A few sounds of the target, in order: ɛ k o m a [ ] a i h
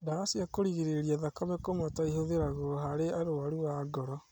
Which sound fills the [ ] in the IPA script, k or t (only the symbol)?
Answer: t